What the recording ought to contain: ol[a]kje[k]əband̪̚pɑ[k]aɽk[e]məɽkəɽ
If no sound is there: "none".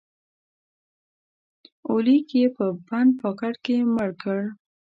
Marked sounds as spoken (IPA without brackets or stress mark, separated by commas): i, p, k, e